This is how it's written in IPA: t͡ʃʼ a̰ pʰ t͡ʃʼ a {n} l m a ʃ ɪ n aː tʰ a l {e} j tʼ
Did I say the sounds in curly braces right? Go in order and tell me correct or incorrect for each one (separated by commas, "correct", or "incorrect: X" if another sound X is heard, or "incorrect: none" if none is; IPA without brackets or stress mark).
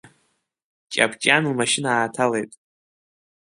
correct, correct